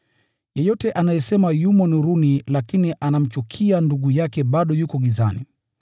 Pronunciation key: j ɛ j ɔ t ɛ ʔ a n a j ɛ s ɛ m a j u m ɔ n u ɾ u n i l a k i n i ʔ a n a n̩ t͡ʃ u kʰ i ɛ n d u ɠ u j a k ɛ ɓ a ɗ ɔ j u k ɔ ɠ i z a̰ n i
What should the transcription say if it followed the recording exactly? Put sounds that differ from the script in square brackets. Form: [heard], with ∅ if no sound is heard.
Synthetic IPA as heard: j ɛ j ɔ t ɛ ʔ a n a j ɛ s ɛ m a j u m ɔ n u ɾ u n i l a k i n i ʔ a n a [m̩] t͡ʃ u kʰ i [a] n d u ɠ u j a k ɛ ɓ a ɗ ɔ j u k ɔ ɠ i z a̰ n i

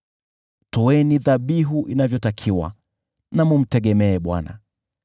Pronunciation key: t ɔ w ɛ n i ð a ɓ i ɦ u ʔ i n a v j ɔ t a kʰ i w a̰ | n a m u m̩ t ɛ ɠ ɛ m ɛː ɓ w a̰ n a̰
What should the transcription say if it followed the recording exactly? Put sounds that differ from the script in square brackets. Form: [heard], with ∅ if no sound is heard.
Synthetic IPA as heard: t ɔ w ɛ n i ð a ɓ i ɦ u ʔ i n a v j ɔ t a kʰ i w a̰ | n a m u m̩ t ɛ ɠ ɛ m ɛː ɓ w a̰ n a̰

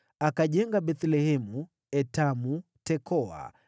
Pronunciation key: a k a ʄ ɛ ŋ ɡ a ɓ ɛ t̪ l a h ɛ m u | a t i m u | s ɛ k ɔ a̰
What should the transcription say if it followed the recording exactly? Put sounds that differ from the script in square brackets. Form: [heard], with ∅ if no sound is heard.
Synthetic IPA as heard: a k a ʄ ɛ ŋ ɡ a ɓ ɛ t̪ l [ɛ] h ɛ m u | [ɛ] t [a] m u | [t] ɛ k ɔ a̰

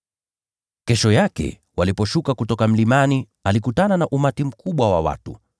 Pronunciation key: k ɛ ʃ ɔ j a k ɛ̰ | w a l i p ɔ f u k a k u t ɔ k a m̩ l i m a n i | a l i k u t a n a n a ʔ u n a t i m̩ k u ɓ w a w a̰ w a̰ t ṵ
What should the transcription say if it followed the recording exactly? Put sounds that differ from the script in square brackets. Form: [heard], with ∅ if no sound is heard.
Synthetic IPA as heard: k ɛ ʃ ɔ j a k ɛ̰ | w a l i p ɔ [ʃ] u k a k u t ɔ k a m̩ l i m a n i | a l i k u t a n a n a ʔ u [m] a t i m̩ k u ɓ w a w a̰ w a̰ t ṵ

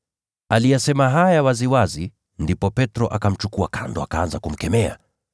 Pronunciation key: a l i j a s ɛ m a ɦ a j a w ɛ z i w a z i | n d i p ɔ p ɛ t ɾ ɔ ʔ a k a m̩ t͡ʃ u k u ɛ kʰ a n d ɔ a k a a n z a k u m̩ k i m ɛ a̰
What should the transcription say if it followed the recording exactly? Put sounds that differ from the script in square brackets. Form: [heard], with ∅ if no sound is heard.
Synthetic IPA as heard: a l i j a s ɛ m a ɦ a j a w [a] z i w a z i | n d i p ɔ p ɛ t ɾ ɔ ʔ a k a m̩ t͡ʃ u k u [a] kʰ a n d ɔ a k a a n z a k u m̩ k [ɛ] m ɛ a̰

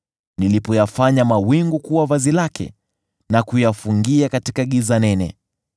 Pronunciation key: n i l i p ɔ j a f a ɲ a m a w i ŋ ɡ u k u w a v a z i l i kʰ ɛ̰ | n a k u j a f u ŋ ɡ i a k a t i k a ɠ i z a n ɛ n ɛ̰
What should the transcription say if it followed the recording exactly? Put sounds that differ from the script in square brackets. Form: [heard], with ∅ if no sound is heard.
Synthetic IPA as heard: n i l i p ɔ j a f a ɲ a m a w i ŋ ɡ u k u w a v a z i l [a] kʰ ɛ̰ | n a k u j a f u ŋ ɡ i a k a t i k a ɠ i z a n ɛ n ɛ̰

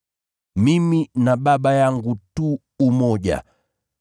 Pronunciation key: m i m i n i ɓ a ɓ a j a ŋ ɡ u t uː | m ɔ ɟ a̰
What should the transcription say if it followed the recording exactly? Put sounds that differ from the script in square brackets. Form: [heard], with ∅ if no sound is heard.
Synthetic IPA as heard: m i m i n [a] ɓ a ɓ a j a ŋ ɡ u t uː | m ɔ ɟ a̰

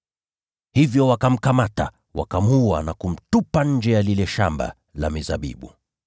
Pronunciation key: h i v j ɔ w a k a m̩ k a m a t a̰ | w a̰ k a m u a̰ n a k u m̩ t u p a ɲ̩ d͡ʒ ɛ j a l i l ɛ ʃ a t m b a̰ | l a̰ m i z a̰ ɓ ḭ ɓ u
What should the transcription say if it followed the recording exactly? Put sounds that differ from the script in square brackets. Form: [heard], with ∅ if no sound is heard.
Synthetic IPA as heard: h i v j ɔ w a k a m̩ k a m a t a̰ | w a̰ k a m u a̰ n a k u m̩ t u p a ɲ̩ d͡ʒ ɛ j a l i l ɛ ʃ a [∅] m b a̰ | l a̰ m i z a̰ ɓ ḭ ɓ u

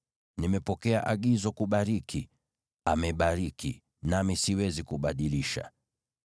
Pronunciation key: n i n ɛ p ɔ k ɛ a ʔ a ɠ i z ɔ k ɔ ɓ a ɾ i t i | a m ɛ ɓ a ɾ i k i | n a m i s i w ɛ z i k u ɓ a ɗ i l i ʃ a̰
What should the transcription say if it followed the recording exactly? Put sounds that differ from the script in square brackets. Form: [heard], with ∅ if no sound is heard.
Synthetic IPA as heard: n i [m] ɛ p ɔ k ɛ a ʔ a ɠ i z ɔ k [u] ɓ a ɾ i [k] i | a m ɛ ɓ a ɾ i k i | n a m i s i w ɛ z i k u ɓ a ɗ i l i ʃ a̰

